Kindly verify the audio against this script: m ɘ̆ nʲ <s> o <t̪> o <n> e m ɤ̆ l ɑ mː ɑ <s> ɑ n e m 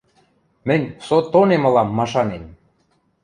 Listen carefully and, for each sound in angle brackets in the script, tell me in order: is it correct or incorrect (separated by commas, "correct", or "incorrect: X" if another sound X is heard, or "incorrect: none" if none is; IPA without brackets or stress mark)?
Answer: correct, correct, correct, incorrect: ʃ